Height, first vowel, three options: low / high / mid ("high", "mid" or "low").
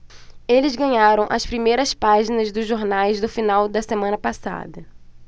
mid